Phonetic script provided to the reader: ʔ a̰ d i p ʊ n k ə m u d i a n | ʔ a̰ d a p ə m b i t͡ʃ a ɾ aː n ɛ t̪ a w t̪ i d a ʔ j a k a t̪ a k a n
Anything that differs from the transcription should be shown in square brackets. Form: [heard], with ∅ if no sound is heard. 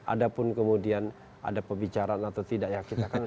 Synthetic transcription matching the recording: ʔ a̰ d [a] p ʊ n k ə m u d i a n | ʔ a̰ d a p ə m b i t͡ʃ a ɾ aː n [a] t̪ a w t̪ i d a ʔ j a k [i] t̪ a k a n

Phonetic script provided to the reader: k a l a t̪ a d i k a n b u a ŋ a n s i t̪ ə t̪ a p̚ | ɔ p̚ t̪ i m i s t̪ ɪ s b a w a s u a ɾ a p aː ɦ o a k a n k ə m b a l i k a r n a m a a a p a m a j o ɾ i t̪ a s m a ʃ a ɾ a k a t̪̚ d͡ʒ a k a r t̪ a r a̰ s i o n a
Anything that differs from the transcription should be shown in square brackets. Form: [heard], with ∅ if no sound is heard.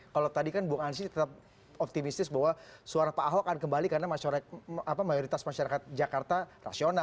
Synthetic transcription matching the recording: k a l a t̪ a d i k a n b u a ŋ a n s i t̪ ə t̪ a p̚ | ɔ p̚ t̪ i m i s t̪ ɪ s b a w a s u a ɾ a p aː ɦ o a k a n k ə m b a l i k a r n a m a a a p a m a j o ɾ i t̪ a s m a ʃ a ɾ a k a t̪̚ d͡ʒ a k a r t̪ a r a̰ s i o n a

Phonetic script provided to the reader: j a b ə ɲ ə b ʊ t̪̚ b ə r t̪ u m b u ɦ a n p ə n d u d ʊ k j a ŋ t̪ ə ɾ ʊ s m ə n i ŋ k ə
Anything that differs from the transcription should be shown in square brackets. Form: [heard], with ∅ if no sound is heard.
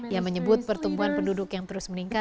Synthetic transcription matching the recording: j a [m] ə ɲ ə b ʊ t̪̚ [p] ə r t̪ u m b u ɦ a n p ə n d u d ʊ k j a ŋ t̪ ə ɾ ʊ s m ə n i ŋ k [a]

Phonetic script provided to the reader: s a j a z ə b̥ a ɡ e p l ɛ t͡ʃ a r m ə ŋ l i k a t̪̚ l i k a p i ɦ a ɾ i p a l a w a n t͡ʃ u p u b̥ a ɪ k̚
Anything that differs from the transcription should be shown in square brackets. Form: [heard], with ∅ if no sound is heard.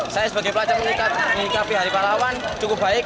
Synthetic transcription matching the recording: s a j a [s] ə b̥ a ɡ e p l [a] t͡ʃ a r m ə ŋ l i k a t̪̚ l i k a p i ɦ a ɾ i p a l a w a n t͡ʃ u [k] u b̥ a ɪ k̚

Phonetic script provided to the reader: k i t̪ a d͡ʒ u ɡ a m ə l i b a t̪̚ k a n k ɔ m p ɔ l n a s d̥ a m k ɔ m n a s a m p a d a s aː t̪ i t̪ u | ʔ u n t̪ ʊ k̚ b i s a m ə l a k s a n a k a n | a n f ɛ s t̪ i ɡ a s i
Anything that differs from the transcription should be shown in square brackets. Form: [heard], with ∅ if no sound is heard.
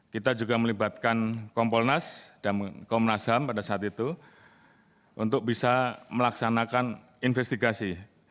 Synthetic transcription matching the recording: k i t̪ a d͡ʒ u ɡ a m ə l i b a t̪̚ k a n k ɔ m p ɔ l n a s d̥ a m k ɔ m n a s a m p a d a s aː t̪ i t̪ u | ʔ u n t̪ ʊ k̚ b i s a m ə l a k s a n a k a n | [i] n f ɛ s t̪ i ɡ a s i

